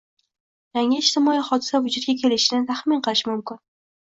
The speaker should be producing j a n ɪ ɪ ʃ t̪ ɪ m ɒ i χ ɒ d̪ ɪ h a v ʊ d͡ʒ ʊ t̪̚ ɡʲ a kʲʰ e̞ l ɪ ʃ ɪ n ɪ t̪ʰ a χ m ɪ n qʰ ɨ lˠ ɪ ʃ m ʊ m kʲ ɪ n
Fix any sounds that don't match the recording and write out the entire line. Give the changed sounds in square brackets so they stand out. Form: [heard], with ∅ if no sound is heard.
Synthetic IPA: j a [ŋ] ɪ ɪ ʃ t̪ ɪ m ɒ i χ ɒ d̪ ɪ [s] a v ʊ d͡ʒ ʊ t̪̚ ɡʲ a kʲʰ e̞ l ɪ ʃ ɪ n ɪ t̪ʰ a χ m ɪ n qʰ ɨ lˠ ɪ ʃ m ʊ m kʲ ɪ n